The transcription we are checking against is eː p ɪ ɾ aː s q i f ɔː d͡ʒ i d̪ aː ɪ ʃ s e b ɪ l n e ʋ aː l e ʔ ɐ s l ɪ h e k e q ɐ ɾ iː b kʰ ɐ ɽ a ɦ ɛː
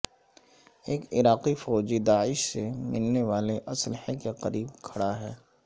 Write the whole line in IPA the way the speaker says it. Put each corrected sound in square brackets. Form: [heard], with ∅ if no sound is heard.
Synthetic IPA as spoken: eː [k] ɪ ɾ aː [∅] q i f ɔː d͡ʒ i d̪ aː ɪ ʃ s e [m] ɪ l n e ʋ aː l e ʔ ɐ s l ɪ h e k e q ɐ ɾ iː b kʰ ɐ ɽ a ɦ ɛː

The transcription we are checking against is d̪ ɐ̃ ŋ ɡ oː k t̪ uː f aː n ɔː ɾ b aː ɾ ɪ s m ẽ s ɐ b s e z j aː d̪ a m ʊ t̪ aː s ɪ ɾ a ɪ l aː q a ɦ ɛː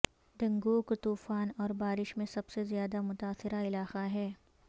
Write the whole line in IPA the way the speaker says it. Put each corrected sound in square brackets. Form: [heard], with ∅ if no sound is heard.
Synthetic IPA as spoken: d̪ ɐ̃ ŋ ɡ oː k t̪ uː f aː n ɔː ɾ b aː ɾ ɪ [ʃ] m ẽ s ɐ b s e z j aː d̪ a m ʊ t̪ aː s ɪ ɾ a ɪ l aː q a ɦ ɛː

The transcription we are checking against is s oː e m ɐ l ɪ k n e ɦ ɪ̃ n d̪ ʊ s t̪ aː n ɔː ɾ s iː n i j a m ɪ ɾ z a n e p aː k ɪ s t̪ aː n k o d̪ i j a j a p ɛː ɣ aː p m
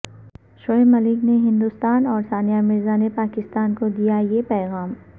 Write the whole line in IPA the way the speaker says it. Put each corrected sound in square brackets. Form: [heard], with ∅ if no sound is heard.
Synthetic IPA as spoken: [ʃ] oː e m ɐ l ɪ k n e ɦ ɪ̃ n d̪ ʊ s t̪ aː n ɔː ɾ s [aː] n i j a m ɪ ɾ z a n e p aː k ɪ s t̪ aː n k o d̪ i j a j [e] p ɛː ɣ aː [∅] m

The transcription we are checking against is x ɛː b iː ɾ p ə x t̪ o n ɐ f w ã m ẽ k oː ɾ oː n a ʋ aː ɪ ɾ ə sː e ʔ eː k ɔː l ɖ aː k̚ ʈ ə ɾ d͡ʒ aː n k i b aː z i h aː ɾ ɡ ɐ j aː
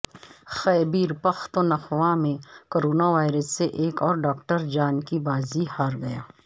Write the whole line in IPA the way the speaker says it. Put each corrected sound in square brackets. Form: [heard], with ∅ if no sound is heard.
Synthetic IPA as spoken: x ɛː b iː ɾ p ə x t̪ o n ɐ [x] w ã m ẽ k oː ɾ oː n a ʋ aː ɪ ɾ ə sː e ʔ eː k ɔː [ɾ] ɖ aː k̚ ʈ ə ɾ d͡ʒ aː n k i b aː z i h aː ɾ ɡ ɐ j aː

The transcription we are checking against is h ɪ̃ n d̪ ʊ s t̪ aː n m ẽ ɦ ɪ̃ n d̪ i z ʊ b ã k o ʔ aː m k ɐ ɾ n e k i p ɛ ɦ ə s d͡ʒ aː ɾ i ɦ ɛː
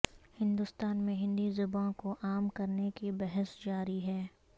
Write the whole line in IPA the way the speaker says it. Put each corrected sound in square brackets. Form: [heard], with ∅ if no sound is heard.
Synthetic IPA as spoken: h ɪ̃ n d̪ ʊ s t̪ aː n m ẽ ɦ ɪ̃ n d̪ i z ʊ b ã k o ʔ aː m k ɐ ɾ n e k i [b] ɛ ɦ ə s d͡ʒ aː ɾ i ɦ ɛː

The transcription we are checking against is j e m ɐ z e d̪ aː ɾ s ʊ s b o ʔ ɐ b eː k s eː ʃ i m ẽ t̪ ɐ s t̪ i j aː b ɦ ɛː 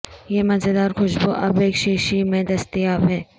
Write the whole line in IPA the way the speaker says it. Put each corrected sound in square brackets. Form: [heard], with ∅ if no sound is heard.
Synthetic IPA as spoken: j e m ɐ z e d̪ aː ɾ [x] ʊ [ʃ] b o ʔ ɐ b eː k [ʃ] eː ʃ i m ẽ [d̪] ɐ s t̪ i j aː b ɦ ɛː

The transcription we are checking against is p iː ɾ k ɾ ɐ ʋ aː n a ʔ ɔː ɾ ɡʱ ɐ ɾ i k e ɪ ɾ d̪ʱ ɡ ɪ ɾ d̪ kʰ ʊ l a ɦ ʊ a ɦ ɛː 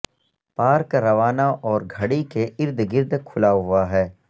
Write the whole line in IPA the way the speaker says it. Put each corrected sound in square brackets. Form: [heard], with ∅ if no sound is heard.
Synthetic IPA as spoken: p [aː] ɾ k ɾ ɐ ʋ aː n a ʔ ɔː ɾ ɡʱ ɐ [ɽ] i k e ɪ ɾ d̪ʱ ɡ ɪ ɾ d̪ kʰ ʊ l a ɦ ʊ a ɦ ɛː

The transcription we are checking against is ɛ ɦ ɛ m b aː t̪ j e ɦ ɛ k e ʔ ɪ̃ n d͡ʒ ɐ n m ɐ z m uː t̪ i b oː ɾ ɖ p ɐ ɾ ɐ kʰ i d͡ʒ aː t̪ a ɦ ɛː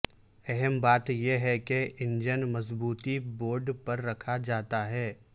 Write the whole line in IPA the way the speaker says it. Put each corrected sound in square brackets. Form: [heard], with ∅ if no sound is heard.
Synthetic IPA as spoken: ɛ ɦ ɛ m b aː t̪ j e ɦ ɛ k e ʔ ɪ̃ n d͡ʒ [ə] n m ɐ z [b] uː t̪ i b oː ɾ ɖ p ɐ [ɾː] ɐ kʰ [a] d͡ʒ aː t̪ a ɦ ɛː

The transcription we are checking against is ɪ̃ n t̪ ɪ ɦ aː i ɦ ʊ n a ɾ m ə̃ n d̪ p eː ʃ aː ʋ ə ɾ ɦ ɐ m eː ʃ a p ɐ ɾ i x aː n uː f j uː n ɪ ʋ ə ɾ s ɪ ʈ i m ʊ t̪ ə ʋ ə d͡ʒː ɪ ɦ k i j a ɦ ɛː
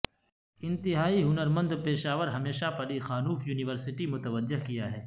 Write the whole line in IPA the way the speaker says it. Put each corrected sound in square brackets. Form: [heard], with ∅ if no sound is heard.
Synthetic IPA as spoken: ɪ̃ n t̪ ɪ ɦ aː i ɦ ʊ n [ə] ɾ m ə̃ n d̪ p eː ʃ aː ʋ ə ɾ ɦ ɐ m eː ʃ a p ɐ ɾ i x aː n uː f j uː n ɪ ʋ ə ɾ s ɪ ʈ i m ʊ t̪ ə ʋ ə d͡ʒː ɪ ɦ k i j a ɦ ɛː

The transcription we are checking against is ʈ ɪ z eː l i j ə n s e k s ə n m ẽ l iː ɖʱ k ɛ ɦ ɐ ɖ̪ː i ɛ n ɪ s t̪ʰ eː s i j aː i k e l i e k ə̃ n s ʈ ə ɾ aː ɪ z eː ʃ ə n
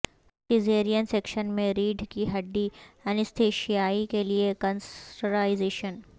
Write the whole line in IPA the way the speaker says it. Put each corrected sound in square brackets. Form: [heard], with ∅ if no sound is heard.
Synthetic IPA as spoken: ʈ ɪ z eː [ɾ] i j ə n s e k [ʃ] ə n m ẽ [ɾ] iː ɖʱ k [i] ɦ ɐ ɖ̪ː i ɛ n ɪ s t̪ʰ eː [ʃ] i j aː i k e l i e k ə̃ n s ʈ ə ɾ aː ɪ z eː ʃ ə n

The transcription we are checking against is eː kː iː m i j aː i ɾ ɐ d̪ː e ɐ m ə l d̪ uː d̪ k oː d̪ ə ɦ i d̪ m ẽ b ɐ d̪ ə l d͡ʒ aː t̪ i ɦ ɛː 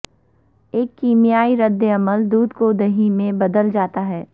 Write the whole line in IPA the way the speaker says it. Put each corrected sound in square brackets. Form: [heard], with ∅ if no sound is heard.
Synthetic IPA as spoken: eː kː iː m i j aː i ɾ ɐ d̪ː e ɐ m ə l d̪ uː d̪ k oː d̪ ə ɦ i [∅] m ẽ b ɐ d̪ ə l d͡ʒ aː t̪ [a] ɦ ɛː

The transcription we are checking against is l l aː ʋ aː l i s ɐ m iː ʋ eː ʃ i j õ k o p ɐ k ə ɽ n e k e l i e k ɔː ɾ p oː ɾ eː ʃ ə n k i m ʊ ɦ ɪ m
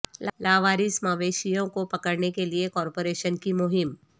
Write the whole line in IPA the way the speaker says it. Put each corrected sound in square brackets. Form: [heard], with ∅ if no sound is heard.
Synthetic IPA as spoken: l l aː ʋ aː [ɾ] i s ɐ m [aː] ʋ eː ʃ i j õ k o p ɐ k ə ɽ n e k e l i e k ɔː ɾ p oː ɾ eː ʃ ə n k i m ʊ ɦ ɪ m

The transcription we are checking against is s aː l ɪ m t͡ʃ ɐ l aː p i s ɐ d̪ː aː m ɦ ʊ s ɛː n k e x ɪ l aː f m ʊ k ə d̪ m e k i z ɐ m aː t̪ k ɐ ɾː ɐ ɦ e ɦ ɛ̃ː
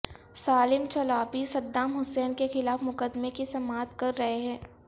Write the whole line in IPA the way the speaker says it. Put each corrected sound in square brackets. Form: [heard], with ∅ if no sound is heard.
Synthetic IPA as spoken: s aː l ɪ m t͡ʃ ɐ l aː p i s ɐ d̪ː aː m ɦ ʊ s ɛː n k e x ɪ l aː f m ʊ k ə d̪ m e k i [s] ɐ m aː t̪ k ɐ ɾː ɐ ɦ e ɦ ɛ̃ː

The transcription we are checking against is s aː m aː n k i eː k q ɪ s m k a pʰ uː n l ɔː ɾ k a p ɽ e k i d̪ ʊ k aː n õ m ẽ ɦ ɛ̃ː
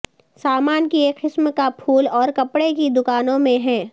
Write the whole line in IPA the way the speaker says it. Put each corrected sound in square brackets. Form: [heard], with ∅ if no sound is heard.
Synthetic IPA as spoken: s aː m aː n k i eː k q ɪ s m k a pʰ uː [∅] l ɔː ɾ k [ɐ] p ɽ e k i d̪ ʊ k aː n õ m ẽ ɦ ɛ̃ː

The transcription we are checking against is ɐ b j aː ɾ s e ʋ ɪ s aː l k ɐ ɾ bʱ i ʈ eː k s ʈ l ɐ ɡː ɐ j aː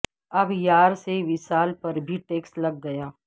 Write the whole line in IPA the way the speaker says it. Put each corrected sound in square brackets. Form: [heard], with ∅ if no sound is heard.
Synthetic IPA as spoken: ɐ b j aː ɾ s e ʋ ɪ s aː l [p] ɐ ɾ bʱ i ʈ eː k s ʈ l ɐ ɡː ɐ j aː

